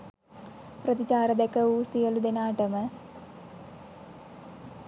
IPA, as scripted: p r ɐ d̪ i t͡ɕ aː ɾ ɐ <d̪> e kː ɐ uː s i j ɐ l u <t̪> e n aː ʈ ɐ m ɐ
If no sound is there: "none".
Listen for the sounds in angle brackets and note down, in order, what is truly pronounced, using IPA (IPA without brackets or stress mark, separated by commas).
d̪, d̪